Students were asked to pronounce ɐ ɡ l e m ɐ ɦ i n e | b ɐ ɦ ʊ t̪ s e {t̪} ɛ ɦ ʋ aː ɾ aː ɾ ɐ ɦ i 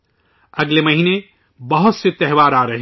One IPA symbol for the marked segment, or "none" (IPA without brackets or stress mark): t̪